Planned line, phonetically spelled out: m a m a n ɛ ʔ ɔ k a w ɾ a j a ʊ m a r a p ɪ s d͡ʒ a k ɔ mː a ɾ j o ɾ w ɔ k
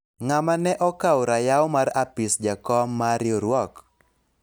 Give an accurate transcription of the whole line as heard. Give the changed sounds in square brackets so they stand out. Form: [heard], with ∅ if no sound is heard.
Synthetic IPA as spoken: [ŋ] a m a n ɛ ʔ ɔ k a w ɾ a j a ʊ m a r a p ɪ s d͡ʒ a k ɔ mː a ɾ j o ɾ w ɔ k

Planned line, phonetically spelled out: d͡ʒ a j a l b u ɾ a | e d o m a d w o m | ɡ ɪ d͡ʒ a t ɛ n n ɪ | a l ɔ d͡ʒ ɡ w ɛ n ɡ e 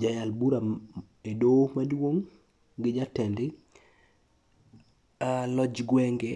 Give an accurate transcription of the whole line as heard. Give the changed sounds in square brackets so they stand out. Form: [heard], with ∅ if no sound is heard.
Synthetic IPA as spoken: d͡ʒ a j a l b u ɾ a | e d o m a d w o [ŋ] | ɡ ɪ d͡ʒ a t ɛ n [d] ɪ | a l ɔ d͡ʒ ɡ w ɛ [ŋ] ɡ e

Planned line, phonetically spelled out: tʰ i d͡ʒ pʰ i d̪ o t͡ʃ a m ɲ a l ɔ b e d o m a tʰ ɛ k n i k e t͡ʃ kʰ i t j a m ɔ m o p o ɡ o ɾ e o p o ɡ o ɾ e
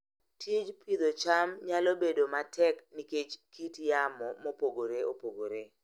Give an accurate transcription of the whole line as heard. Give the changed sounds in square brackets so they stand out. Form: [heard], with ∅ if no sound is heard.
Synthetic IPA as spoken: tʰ i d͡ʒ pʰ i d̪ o t͡ʃ a m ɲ a l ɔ b e d o m a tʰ ɛ k n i k e t͡ʃ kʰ i t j a m ɔ m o p o ɡ o ɾ e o p o ɡ o ɾ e

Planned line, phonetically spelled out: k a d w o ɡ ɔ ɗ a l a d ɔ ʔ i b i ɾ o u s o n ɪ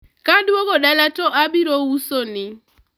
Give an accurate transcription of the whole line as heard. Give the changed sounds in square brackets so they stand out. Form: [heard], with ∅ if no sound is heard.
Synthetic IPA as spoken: k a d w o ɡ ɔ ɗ a l a [t] ɔ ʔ [a] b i ɾ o u s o n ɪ

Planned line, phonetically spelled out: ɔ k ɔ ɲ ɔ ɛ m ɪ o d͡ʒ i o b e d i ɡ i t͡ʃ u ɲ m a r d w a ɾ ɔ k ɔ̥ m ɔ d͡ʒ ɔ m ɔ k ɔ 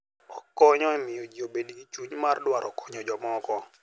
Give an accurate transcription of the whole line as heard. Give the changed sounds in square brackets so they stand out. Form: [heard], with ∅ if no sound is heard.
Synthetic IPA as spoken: ɔ k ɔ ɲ ɔ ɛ m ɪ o d͡ʒ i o b e d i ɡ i t͡ʃ u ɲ m a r d w a ɾ ɔ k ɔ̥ [ɲ] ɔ d͡ʒ ɔ m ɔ k ɔ

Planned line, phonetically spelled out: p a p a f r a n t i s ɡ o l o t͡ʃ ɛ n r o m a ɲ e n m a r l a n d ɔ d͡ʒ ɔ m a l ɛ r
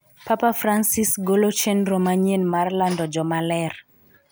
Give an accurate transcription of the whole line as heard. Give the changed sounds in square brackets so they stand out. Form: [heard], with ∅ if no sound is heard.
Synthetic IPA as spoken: p a p a f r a n [s] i s ɡ o l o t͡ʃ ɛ n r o m a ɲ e n m a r l a n d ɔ d͡ʒ ɔ m a l ɛ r

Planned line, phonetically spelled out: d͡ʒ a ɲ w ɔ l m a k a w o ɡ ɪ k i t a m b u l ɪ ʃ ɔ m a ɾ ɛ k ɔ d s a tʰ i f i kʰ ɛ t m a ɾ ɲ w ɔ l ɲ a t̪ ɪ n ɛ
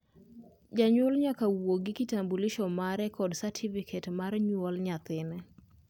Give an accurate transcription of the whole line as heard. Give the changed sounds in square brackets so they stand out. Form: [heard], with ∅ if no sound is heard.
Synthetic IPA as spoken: d͡ʒ a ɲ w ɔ l [ɲ] a k a w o ɡ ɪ k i t a m b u l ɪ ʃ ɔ m a ɾ ɛ k ɔ d s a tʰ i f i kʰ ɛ t m a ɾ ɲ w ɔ l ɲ a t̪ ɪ n ɛ

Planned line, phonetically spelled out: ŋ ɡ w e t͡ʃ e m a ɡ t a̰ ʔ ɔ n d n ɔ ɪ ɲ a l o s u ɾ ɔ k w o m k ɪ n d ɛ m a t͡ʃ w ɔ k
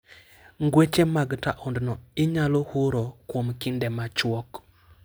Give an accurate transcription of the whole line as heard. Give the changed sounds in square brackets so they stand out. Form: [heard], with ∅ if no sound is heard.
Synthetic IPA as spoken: ŋ ɡ w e t͡ʃ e m a ɡ t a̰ ʔ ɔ n d n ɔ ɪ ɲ a l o [h] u ɾ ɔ k w o m k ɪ n d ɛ m a t͡ʃ w ɔ k

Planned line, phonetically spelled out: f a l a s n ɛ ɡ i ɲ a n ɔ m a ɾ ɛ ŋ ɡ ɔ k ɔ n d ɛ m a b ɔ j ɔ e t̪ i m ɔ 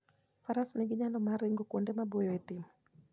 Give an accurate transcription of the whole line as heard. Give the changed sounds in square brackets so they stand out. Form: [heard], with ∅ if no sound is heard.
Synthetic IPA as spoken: f a [ɾ] a s n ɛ ɡ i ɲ a n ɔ m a ɾ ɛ ŋ ɡ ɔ k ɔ n d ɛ m a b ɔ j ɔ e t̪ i m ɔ

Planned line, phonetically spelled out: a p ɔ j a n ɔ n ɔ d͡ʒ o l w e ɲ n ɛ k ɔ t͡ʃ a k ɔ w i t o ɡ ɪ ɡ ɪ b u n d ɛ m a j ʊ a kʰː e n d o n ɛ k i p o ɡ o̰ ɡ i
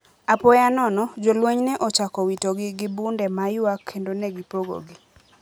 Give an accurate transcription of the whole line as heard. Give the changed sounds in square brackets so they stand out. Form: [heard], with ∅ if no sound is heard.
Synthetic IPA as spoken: a p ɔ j a n ɔ n ɔ d͡ʒ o l w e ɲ n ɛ [ʔ] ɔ t͡ʃ a k ɔ w i t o ɡ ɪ ɡ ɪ b u n d ɛ m a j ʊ a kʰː e n d o n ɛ [ɡ] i p o ɡ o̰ ɡ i

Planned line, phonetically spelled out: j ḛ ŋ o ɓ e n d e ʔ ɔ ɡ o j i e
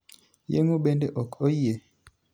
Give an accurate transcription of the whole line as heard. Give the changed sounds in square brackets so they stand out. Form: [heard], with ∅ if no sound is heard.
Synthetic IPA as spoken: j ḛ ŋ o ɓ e n d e ʔ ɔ [k] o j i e

